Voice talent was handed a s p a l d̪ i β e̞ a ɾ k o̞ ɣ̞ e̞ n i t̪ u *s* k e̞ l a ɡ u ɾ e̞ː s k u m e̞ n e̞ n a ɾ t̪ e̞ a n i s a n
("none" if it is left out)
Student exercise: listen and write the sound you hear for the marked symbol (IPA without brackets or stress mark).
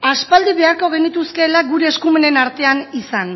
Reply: s